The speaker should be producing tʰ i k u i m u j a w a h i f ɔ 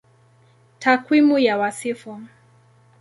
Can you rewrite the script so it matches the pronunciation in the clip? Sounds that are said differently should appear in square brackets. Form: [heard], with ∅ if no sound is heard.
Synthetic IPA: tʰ [a] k [w] i m u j a w a [s] i f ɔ